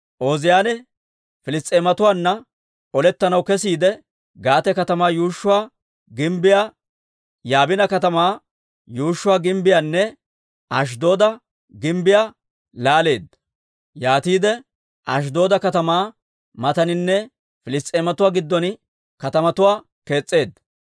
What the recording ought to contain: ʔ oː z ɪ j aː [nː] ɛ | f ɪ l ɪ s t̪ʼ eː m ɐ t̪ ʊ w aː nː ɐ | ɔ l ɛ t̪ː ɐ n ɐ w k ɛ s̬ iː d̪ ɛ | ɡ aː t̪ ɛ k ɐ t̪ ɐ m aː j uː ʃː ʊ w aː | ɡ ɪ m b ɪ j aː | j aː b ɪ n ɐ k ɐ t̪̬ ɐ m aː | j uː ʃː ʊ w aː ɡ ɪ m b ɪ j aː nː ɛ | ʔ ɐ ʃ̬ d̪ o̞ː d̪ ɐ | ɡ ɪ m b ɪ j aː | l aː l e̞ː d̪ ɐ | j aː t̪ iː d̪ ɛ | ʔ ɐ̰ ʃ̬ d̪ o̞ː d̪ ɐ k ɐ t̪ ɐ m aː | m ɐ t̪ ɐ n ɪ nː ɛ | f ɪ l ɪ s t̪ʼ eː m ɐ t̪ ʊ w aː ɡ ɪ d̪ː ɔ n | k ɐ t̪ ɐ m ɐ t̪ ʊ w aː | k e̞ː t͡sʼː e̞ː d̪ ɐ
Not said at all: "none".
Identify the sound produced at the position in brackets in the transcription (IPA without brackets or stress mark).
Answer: n